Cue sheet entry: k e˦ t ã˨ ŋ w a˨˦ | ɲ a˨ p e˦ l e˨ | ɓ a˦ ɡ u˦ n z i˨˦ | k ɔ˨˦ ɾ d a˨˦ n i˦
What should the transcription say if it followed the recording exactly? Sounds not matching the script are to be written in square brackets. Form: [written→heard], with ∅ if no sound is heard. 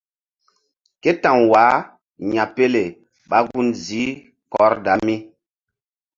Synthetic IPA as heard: k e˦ t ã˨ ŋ w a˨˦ | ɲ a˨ p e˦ l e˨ | ɓ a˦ ɡ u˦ n z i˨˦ | k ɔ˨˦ ɾ d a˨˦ [n→m] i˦